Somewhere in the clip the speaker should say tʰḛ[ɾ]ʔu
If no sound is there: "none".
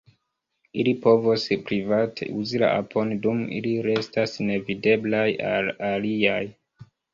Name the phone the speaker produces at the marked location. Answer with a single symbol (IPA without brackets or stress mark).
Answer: none